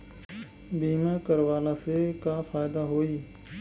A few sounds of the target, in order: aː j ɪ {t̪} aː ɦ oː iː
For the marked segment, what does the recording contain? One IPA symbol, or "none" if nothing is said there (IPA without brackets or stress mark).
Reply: d̪